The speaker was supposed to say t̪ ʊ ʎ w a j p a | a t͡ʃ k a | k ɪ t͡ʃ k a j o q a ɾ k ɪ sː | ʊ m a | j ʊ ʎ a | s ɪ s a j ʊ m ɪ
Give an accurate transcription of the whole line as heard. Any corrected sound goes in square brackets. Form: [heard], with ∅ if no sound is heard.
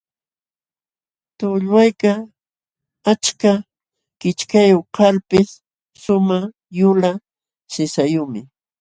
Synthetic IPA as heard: t̪ ʊ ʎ w a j [k] a | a t͡ʃ k a | k ɪ t͡ʃ k a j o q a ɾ [p] ɪ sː | ʊ m a | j ʊ [l] a | s ɪ s a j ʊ m ɪ